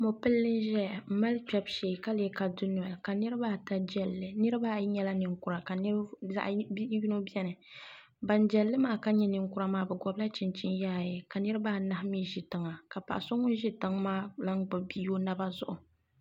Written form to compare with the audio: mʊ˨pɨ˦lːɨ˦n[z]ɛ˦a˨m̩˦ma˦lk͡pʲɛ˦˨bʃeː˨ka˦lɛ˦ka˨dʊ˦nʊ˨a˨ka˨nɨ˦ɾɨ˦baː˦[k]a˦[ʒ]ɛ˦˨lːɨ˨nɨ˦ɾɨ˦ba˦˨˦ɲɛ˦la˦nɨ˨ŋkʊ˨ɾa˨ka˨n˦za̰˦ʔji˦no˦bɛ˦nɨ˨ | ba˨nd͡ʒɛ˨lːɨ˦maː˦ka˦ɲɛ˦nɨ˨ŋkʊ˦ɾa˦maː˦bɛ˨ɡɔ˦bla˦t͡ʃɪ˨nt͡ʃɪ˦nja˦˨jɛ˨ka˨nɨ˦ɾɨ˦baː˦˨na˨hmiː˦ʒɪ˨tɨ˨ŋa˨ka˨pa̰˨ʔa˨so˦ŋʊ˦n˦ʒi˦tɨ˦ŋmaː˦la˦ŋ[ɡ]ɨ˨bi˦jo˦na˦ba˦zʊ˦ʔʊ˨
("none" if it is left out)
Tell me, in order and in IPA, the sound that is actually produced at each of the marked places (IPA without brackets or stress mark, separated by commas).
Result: ʒ, t, d͡ʒ, ɡ͡b